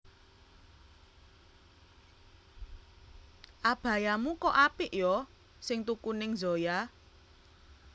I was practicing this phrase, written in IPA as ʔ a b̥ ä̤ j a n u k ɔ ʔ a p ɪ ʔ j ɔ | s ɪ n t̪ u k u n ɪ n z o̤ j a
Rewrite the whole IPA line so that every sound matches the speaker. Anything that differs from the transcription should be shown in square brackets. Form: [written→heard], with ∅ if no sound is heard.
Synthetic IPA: ʔ a b̥ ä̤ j a [n→m] u k ɔ ʔ a p ɪ ʔ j ɔ | s ɪ [n→ŋ] t̪ u k u n ɪ [n→ŋ] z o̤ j a